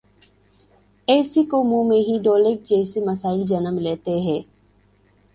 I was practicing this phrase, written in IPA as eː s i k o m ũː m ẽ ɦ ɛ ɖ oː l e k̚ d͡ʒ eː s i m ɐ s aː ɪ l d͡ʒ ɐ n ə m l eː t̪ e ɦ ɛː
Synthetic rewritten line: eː s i k o m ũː m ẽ ɦ i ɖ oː l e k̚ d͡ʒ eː s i m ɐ s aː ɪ l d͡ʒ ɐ n ə m l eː t̪ e ɦ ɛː